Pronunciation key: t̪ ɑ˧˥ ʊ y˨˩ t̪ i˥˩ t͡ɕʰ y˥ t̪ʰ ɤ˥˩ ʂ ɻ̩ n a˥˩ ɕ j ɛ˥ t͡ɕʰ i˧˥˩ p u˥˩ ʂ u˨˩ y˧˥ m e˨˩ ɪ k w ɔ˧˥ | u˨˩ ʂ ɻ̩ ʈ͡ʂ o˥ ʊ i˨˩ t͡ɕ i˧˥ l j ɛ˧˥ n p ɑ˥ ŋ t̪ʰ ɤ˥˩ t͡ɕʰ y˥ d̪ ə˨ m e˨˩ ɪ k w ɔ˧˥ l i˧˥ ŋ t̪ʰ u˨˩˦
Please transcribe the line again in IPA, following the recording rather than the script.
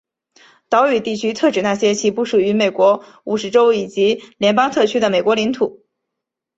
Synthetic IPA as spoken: t̪ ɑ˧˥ ʊ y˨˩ t̪ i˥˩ t͡ɕʰ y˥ t̪ʰ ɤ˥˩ ʈ͡ʂ ɻ̩ n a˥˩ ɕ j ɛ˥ t͡ɕʰ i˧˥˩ p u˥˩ ʂ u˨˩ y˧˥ m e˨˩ ɪ k w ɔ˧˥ | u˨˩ ʂ ɻ̩ ʈ͡ʂ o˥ ʊ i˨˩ t͡ɕ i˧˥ l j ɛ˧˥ n p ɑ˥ ŋ t̪ʰ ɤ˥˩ t͡ɕʰ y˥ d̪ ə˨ m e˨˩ ɪ k w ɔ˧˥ l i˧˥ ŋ t̪ʰ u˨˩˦

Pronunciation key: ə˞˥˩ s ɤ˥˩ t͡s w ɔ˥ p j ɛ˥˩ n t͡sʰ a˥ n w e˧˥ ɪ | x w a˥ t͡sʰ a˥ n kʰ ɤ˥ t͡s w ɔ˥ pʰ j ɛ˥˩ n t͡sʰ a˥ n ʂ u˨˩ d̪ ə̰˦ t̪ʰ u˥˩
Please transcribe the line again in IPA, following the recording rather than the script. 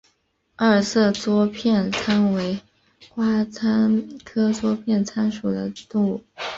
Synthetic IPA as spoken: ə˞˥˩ s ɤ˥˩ t͡s w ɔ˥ pʰ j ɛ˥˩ n t͡sʰ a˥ n w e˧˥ ɪ | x w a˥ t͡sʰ a˥ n kʰ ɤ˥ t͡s w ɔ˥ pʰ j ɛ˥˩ n t͡sʰ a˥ n ʂ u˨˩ d̪ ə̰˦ t̪ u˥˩

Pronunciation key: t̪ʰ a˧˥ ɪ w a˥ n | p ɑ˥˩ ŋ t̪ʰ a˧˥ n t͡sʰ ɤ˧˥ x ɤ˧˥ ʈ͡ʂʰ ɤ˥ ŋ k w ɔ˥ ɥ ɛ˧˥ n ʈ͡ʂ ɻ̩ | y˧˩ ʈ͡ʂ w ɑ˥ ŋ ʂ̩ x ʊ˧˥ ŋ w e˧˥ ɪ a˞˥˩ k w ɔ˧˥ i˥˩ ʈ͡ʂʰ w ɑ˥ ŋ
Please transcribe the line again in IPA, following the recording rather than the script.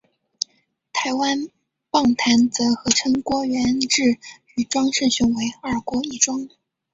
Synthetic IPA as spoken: t̪ʰ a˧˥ ɪ w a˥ n | p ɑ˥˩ ŋ t̪ʰ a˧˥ n t͡s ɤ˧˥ x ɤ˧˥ ʈ͡ʂʰ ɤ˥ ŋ k w ɔ˥ ɥ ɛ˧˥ n ʈ͡ʂ ɻ̩ | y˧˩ ʈ͡ʂ w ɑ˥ ŋ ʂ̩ ɕ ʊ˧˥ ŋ w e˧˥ ɪ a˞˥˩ k w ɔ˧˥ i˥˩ ʈ͡ʂ w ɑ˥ ŋ

